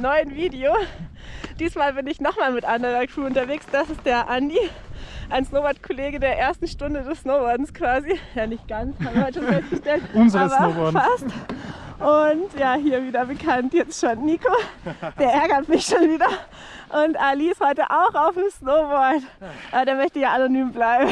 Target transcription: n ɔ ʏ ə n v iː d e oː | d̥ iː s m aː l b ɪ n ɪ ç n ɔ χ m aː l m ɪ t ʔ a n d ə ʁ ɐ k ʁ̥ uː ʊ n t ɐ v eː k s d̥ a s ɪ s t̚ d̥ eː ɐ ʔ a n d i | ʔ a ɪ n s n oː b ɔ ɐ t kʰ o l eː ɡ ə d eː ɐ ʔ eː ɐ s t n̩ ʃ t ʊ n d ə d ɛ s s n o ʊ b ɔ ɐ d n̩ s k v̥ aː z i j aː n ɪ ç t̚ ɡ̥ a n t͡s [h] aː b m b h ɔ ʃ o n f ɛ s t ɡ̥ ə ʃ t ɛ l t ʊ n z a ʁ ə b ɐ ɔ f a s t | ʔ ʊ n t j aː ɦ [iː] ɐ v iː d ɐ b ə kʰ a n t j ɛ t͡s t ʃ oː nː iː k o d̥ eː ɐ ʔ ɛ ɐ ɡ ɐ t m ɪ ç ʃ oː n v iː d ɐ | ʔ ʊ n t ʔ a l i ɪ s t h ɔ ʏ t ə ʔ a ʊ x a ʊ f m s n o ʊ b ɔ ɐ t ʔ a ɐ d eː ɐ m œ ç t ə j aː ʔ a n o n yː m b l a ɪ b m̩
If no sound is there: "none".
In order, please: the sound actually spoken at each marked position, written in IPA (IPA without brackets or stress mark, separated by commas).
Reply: h, iː